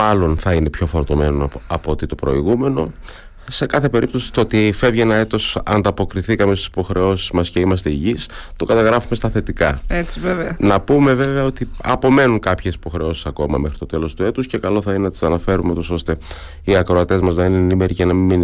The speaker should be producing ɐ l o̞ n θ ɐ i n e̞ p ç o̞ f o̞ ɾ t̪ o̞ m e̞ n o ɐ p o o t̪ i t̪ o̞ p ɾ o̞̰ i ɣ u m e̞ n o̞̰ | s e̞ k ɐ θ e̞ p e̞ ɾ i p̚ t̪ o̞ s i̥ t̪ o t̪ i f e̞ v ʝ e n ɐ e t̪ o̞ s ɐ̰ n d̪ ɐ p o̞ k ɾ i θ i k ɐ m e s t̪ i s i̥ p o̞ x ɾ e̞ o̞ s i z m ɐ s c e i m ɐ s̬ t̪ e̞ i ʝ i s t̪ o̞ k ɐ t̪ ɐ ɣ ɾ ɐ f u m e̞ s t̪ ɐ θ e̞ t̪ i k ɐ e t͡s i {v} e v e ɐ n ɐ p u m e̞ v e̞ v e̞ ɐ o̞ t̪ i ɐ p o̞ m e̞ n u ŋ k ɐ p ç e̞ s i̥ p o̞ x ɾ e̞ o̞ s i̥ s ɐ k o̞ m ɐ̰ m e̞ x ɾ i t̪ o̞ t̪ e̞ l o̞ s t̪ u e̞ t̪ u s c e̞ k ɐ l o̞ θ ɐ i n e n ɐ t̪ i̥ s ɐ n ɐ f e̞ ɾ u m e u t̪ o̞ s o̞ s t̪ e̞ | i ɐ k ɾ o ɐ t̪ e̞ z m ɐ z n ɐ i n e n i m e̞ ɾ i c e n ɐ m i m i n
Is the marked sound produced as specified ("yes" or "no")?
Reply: yes